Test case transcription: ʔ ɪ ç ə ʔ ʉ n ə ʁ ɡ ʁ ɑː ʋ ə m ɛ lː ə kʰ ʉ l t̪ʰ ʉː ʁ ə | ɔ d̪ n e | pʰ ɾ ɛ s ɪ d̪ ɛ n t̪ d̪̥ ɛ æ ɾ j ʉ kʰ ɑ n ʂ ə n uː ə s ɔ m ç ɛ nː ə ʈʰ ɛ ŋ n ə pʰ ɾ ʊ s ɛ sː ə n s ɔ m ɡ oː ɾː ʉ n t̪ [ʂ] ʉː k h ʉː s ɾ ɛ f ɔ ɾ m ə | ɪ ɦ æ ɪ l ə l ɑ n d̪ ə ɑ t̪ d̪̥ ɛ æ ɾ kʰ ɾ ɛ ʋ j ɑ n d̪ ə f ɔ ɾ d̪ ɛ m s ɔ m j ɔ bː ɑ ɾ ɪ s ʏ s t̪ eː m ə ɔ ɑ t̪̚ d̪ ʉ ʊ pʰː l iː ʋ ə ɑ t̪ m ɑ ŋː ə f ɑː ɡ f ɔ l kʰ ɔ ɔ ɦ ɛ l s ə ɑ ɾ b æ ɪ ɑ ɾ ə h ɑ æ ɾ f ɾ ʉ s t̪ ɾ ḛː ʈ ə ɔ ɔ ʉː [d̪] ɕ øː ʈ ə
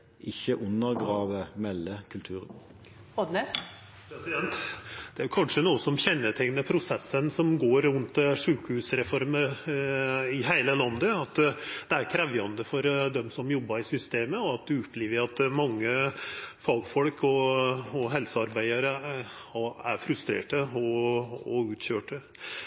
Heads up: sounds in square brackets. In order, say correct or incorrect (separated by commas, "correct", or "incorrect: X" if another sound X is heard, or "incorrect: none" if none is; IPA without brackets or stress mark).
correct, incorrect: t̪